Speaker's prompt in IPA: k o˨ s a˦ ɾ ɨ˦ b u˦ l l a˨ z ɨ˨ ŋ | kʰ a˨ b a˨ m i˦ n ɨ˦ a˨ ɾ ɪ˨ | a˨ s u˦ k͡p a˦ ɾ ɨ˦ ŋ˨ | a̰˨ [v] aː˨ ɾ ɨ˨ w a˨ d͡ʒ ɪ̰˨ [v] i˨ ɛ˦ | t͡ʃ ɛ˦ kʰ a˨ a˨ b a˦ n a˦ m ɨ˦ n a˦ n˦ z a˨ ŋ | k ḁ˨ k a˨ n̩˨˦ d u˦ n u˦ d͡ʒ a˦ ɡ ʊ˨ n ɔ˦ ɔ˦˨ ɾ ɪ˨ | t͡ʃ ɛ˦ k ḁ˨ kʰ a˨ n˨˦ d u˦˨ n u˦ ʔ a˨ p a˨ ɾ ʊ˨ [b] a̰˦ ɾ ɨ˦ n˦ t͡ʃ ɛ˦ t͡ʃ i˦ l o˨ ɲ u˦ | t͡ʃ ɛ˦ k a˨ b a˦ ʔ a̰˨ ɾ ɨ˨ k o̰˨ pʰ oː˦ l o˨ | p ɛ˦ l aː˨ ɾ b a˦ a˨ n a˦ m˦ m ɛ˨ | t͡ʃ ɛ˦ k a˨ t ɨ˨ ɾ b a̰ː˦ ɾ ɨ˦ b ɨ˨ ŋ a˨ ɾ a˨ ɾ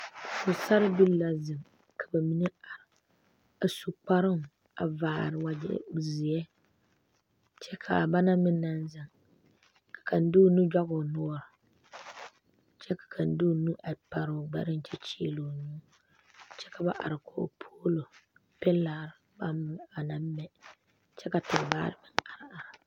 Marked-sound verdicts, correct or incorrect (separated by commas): correct, incorrect, incorrect